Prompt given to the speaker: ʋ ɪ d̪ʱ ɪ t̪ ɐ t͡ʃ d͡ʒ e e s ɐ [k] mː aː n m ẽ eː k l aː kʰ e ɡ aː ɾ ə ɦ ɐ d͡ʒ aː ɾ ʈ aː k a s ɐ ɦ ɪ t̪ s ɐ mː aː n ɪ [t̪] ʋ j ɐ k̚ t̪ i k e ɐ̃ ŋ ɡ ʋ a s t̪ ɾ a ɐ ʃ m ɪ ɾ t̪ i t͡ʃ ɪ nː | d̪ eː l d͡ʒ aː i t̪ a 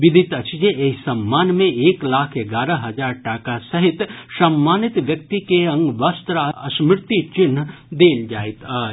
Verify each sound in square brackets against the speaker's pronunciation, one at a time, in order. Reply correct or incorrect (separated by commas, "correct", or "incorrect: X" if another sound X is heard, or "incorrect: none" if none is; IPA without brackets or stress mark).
incorrect: none, correct